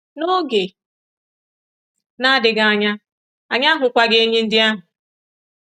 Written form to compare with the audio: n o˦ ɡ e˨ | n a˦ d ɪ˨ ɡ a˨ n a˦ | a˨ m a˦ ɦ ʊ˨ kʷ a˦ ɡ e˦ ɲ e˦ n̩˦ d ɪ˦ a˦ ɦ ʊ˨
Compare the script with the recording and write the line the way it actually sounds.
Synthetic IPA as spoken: n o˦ ɡ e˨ | n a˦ d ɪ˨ ɡ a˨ ɲ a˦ | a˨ ɲ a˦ ɦ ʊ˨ kʷ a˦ ɡ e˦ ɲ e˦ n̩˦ d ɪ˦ a˦ ɦ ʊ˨